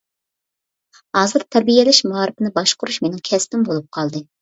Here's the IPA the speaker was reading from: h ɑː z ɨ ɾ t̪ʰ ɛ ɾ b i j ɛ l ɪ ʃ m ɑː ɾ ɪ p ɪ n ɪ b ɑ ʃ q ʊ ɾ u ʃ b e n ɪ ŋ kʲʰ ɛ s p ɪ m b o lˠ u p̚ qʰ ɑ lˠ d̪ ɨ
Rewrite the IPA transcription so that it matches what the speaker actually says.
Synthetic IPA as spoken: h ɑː z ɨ ɾ t̪ʰ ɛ ɾ b i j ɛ l ɪ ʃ m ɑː ɾ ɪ p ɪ n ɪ b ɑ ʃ q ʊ ɾ u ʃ m e n ɪ ŋ kʲʰ ɛ s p ɪ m b o lˠ u p̚ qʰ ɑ lˠ d̪ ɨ